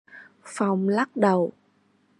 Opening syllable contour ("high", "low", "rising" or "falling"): low